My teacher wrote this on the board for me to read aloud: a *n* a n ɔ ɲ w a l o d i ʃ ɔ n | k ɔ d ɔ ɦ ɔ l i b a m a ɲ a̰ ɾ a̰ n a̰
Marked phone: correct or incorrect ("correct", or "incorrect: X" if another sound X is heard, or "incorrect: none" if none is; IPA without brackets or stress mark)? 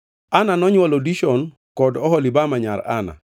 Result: correct